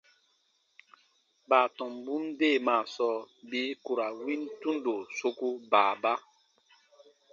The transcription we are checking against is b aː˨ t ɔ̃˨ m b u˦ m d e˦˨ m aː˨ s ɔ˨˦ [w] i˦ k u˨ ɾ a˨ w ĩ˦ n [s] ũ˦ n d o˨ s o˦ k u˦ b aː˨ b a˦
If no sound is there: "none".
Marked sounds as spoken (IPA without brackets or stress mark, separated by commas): b, t